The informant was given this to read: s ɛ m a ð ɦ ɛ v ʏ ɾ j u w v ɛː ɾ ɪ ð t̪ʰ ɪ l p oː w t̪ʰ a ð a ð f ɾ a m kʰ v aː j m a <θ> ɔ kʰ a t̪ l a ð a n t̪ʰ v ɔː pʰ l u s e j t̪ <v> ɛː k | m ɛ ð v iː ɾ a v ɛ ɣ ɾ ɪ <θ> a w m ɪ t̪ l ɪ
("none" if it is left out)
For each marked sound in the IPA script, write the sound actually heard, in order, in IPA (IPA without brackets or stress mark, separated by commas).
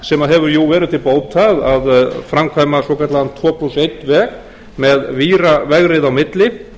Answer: s, v, ð